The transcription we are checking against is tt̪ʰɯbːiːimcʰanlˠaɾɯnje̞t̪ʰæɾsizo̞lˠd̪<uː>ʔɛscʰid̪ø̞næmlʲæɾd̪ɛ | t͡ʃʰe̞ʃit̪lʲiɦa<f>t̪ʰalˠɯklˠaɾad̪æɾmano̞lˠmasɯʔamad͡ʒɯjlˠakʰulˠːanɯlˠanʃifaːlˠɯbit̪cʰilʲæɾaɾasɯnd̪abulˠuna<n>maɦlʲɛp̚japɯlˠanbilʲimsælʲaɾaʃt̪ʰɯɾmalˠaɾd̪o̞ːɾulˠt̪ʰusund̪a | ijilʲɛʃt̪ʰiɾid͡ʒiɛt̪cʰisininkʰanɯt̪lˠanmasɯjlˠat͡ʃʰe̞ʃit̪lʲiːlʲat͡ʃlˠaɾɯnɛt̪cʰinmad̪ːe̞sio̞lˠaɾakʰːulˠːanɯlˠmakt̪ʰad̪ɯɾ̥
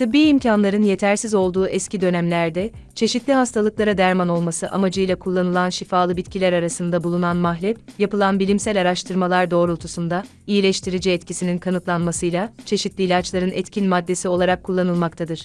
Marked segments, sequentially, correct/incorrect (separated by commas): correct, incorrect, correct